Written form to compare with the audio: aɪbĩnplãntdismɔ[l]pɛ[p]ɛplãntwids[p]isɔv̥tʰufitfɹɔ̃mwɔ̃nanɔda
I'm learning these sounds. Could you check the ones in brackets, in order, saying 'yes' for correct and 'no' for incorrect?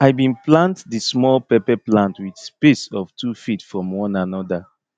yes, yes, yes

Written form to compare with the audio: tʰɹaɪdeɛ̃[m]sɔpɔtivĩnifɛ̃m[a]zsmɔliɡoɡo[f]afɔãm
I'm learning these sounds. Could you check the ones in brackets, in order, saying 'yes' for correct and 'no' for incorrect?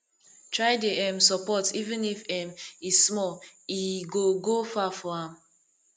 yes, no, yes

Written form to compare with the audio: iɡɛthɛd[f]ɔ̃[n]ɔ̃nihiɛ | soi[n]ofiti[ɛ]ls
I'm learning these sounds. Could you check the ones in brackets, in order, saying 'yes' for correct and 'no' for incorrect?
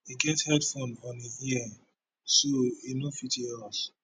yes, yes, yes, yes

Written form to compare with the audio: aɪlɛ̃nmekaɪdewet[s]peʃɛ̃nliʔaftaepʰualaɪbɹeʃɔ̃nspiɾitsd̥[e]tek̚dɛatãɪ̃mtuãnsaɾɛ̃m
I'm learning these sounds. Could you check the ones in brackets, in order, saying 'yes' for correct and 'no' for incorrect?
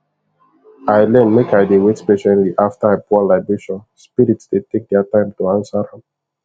yes, yes

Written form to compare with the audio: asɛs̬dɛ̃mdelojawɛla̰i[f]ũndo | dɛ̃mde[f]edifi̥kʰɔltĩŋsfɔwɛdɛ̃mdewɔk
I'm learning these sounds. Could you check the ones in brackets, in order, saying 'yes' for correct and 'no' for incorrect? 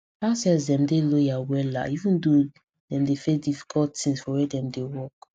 no, yes

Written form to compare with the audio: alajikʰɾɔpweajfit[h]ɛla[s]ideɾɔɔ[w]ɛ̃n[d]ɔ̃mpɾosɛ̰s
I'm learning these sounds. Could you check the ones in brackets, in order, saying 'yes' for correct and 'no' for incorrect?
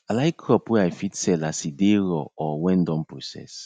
no, yes, yes, yes

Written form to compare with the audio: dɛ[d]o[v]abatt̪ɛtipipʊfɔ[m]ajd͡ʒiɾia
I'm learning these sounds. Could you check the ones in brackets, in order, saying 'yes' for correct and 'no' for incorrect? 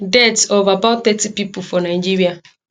no, yes, no

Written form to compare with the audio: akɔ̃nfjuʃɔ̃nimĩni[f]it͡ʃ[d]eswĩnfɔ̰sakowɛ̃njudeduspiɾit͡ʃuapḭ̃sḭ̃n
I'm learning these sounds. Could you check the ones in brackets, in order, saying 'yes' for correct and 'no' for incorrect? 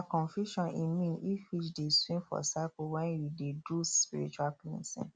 yes, yes

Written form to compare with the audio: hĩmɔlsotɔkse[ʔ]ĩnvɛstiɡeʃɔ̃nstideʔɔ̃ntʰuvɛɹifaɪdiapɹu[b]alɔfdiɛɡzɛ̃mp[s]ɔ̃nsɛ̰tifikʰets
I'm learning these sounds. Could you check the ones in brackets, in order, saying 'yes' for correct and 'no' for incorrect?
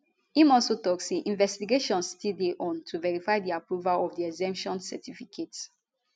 yes, no, no

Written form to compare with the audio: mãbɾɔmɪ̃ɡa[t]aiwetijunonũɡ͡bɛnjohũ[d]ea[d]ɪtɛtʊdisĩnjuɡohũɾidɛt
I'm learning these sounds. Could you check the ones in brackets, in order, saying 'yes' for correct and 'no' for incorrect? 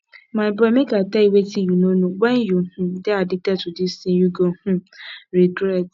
yes, yes, yes

